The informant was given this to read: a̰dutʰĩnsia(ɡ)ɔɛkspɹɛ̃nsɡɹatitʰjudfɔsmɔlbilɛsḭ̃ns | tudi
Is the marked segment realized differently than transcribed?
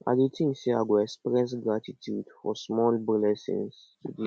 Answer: no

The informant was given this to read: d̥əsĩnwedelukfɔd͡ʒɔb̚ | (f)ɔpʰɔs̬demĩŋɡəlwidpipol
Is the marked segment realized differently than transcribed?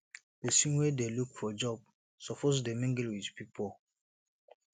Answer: yes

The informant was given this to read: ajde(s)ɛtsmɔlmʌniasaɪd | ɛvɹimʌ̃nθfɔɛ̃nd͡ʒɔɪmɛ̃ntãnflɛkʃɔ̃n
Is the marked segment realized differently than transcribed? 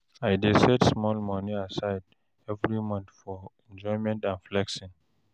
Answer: no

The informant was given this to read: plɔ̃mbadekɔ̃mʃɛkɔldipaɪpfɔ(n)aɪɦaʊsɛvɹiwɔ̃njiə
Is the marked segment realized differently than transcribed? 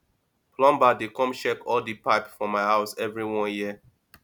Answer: yes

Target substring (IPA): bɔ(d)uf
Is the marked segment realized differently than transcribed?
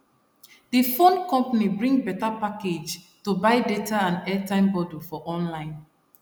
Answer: no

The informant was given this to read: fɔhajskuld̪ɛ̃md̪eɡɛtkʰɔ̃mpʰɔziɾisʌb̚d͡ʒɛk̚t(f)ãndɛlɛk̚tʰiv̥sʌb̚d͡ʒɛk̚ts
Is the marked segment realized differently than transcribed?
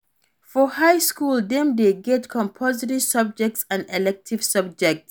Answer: yes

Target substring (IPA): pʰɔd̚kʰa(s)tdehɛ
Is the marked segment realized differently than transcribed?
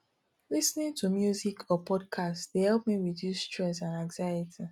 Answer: no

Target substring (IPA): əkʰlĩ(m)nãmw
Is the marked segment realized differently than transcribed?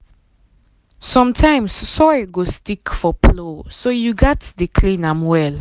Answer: yes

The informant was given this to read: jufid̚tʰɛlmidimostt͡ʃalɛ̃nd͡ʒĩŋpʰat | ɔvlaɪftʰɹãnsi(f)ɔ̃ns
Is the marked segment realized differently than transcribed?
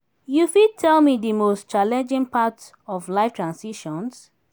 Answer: yes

